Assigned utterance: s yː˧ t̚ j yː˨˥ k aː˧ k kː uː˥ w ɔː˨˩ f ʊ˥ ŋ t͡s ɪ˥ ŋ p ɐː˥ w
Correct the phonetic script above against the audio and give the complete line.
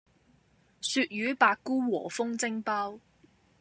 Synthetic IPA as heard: s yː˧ t̚ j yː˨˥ p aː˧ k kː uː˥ w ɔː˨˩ f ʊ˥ ŋ t͡s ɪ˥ ŋ p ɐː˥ w